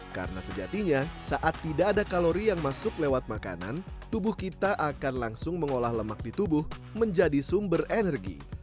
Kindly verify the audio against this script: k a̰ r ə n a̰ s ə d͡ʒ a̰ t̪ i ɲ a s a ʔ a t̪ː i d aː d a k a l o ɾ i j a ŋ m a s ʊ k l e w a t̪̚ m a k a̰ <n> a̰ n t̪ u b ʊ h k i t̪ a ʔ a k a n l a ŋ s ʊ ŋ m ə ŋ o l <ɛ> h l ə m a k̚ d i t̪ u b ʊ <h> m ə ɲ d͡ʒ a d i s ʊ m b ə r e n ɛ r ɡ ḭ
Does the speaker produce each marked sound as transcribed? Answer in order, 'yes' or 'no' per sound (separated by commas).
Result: yes, no, yes